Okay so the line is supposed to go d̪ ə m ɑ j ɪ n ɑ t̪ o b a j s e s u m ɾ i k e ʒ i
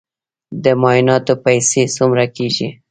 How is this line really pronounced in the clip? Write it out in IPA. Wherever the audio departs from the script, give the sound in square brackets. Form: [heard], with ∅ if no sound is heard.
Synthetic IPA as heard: d̪ ə m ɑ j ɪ n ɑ t̪ o [p] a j s e s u m ɾ [a] k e ʒ i